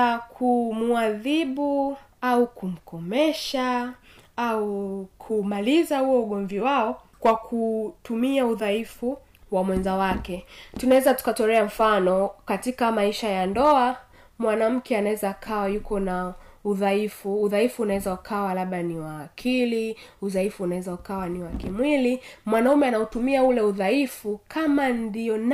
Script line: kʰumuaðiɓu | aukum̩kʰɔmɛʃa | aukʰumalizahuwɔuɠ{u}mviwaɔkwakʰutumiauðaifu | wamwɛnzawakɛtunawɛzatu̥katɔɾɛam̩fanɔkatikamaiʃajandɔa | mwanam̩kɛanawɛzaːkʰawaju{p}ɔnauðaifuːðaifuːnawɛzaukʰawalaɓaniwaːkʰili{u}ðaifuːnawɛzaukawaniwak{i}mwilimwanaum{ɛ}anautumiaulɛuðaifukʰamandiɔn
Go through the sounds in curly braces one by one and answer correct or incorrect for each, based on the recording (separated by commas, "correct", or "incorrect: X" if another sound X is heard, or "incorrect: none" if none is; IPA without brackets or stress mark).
incorrect: ɔ, incorrect: k, correct, correct, correct